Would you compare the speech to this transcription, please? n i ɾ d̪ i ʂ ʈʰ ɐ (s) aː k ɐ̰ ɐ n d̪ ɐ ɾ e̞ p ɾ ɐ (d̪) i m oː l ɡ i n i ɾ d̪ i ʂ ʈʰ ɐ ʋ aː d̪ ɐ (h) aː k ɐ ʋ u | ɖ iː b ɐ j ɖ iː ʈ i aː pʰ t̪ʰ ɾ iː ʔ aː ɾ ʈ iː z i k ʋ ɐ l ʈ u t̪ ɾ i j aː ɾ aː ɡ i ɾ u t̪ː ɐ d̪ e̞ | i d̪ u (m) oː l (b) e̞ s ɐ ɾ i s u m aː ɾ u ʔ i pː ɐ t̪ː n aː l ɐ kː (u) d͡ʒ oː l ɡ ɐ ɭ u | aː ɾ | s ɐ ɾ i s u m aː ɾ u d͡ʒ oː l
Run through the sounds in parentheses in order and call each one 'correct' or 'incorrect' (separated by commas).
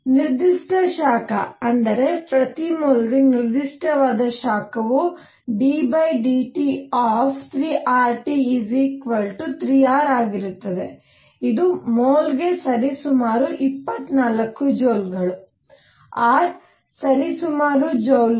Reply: incorrect, incorrect, incorrect, correct, incorrect, correct